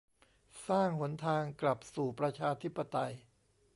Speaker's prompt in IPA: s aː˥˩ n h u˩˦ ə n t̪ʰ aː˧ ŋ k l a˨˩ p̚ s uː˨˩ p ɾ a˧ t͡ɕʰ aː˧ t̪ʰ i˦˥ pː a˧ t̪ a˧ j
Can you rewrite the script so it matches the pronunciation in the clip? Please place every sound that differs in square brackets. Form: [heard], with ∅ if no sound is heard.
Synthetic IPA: s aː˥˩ [ŋ] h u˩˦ ə n t̪ʰ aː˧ ŋ k l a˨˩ p̚ s uː˨˩ p ɾ a˧ t͡ɕʰ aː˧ t̪ʰ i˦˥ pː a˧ t̪ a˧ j